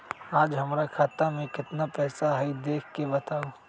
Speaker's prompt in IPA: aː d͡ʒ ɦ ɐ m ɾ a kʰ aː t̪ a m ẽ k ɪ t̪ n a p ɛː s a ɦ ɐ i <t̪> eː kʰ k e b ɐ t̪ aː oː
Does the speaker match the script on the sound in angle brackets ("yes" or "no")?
no